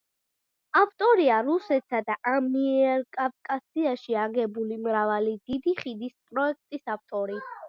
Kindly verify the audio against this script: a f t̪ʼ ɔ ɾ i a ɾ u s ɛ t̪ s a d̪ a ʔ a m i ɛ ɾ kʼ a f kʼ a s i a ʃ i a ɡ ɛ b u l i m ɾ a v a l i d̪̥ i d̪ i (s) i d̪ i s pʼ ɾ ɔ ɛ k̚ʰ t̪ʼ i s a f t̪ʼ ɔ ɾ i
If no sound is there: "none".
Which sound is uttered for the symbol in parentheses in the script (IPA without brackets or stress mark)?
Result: χ